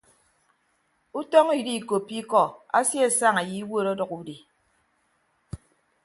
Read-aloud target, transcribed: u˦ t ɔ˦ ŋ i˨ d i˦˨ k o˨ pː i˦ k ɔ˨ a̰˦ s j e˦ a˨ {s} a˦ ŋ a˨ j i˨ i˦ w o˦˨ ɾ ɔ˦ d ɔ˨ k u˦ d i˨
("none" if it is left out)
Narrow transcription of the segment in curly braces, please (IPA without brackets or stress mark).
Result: s